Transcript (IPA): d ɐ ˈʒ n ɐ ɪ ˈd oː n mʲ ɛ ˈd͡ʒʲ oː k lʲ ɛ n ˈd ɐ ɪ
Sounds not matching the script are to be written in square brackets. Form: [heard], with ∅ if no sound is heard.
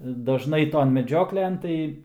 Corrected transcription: d ɐ ˈʒ n ɐ ɪ [ˈt] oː n mʲ ɛ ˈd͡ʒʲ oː k lʲ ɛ n [ˈt] ɐ ɪ